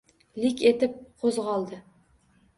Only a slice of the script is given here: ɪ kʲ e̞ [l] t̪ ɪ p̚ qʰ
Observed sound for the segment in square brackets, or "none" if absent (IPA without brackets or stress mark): none